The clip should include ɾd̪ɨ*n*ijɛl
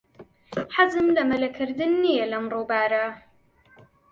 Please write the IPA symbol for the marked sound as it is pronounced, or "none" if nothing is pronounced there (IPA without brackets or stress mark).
nː